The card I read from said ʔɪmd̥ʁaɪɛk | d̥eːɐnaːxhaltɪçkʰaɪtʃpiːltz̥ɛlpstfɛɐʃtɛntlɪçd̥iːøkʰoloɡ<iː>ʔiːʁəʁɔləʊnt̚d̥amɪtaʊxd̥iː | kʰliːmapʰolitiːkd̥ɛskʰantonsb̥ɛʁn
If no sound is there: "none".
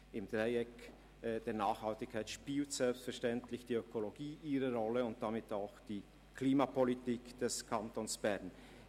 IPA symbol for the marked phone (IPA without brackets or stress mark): iː